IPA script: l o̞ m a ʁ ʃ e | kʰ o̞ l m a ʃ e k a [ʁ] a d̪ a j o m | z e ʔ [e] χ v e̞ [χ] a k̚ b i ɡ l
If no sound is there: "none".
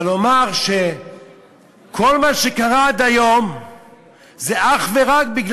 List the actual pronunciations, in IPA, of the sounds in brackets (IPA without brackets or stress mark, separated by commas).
ʁ, a, ʁ